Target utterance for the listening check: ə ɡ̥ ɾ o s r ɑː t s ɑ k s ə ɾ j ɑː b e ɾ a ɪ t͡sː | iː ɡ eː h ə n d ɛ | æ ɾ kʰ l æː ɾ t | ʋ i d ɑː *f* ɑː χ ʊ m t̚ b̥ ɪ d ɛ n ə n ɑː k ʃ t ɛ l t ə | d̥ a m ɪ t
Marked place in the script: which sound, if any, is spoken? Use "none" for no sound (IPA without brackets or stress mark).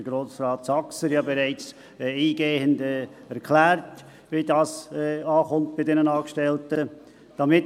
s